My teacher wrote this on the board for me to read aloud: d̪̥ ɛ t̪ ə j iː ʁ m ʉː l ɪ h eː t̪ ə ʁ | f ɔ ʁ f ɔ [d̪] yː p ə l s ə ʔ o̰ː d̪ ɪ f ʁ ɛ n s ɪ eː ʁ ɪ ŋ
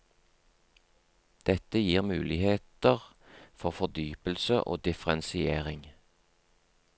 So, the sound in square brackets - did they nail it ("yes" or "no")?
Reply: yes